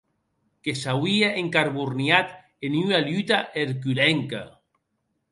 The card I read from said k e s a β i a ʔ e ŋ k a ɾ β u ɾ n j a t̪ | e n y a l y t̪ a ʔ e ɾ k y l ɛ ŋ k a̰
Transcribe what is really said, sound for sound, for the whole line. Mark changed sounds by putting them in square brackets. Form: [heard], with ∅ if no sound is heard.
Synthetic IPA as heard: k e s a [w] i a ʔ e ŋ k a ɾ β u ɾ n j a t̪ | e n y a l y t̪ a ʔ e ɾ k y l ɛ ŋ k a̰